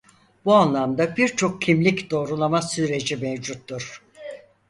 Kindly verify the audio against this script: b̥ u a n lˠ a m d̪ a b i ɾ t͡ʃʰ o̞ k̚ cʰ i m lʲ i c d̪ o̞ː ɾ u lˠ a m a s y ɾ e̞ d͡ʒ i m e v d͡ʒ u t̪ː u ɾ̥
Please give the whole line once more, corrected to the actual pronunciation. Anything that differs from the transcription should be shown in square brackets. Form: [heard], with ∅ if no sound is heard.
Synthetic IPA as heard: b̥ u a n lˠ a m d̪ a b i ɾ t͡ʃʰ o̞ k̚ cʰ i m lʲ i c d̪ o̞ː ɾ u lˠ a m a s y ɾ e̞ d͡ʒ i m e v d͡ʒ u t̪ː u ɾ̥